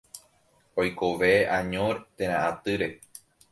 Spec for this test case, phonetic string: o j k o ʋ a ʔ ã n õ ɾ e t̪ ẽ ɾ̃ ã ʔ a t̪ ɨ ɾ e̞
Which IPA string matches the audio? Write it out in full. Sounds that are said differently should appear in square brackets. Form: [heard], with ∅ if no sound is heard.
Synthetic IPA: o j k o ʋ [e] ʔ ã [ɲ] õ ɾ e t̪ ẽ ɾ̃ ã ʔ a t̪ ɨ ɾ e̞

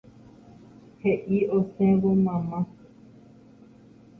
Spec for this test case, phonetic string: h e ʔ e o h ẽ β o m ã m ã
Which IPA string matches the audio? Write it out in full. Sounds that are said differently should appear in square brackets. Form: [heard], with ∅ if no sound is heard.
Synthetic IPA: h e ʔ [i] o [s] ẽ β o m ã m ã

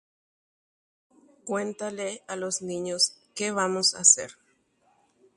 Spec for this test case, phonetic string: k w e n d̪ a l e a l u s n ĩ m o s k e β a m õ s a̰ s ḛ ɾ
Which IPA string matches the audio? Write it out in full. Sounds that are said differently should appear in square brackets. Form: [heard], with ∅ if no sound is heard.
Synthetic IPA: k w e n [t̪] a l e a l [o] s n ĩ [ɲ] o s k e β a m [o] s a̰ s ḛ ɾ

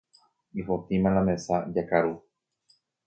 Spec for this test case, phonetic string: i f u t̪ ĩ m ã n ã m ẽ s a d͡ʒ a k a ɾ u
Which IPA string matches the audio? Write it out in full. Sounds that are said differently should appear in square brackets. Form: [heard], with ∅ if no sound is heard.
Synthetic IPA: i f [o] t̪ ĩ m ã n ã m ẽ s a d͡ʒ a k a ɾ u

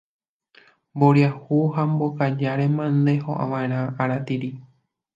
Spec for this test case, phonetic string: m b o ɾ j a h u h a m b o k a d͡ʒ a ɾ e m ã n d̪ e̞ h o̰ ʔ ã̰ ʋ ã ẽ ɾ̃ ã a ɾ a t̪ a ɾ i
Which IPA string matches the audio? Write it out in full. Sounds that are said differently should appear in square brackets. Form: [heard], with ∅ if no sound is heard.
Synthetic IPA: m b o ɾ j a h u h a m b o k a d͡ʒ a ɾ e m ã n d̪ e̞ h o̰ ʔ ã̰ ʋ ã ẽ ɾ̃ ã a ɾ a t̪ [i] ɾ i

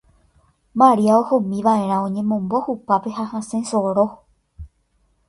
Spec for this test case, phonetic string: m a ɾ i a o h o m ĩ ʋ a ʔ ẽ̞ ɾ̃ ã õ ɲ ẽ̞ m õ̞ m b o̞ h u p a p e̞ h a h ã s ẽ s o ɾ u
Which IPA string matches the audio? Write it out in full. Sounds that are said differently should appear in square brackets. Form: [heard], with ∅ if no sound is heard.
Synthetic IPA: m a ɾ i a o h o m ĩ ʋ a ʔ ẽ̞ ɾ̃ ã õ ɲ ẽ̞ m õ̞ m b o̞ h u p a p e̞ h a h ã s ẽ s o ɾ [o]

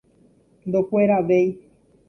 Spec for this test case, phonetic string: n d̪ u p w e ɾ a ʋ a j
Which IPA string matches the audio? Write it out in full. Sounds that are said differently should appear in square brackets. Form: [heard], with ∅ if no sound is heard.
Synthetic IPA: n d̪ [o] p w e ɾ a ʋ [e] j

